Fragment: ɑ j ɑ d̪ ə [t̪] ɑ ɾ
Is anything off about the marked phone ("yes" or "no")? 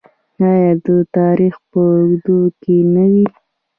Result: no